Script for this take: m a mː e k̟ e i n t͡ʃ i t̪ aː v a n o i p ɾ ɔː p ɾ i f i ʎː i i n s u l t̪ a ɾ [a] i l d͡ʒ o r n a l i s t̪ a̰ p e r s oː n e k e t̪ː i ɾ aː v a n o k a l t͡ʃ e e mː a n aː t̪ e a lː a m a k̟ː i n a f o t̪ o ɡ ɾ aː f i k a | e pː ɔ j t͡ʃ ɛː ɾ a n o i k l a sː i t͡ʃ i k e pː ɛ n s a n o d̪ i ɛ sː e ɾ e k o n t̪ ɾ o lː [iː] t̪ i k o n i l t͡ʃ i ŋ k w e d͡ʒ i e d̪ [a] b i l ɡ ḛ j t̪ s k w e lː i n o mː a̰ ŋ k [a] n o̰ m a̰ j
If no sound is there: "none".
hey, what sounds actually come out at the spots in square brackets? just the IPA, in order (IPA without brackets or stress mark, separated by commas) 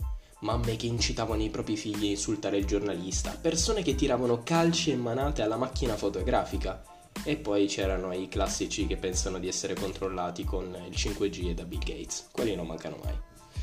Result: e, aː, a, a